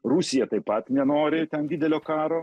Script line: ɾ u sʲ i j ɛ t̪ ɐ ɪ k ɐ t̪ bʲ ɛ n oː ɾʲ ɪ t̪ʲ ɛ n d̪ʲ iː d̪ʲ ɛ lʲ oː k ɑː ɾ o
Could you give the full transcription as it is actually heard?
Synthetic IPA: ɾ u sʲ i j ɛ t̪ ɐ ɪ p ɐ t̪ mʲ ɛ n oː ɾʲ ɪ t̪ʲ ɛ n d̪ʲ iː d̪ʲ ɛ lʲ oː k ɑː ɾ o